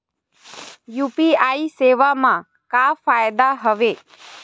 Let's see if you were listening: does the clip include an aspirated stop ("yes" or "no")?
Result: no